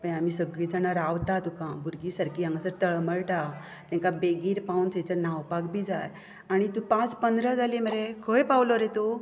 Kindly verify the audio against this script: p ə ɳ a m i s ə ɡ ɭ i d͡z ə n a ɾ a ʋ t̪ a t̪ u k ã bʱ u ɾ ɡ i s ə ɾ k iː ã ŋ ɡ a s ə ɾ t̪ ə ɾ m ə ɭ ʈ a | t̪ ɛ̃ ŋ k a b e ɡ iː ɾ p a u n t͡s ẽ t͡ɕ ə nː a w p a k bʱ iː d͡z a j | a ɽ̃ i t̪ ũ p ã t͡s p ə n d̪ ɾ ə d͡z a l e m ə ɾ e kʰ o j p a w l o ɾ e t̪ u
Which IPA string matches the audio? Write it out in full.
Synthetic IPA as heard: p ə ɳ a m i s ə ɡ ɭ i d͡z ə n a ɾ a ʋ t̪ a t̪ u k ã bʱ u ɾ ɡ i s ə ɾ k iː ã ŋ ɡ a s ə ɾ t̪ ə ɭ m ə ɭ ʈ a | t̪ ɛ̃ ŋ k a b e ɡ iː ɾ p a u n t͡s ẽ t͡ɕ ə n a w p a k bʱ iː d͡z a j | a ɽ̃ i t̪ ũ p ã t͡s p ə n d̪ ɾ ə d͡z a l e m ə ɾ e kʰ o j p a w l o ɾ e t̪ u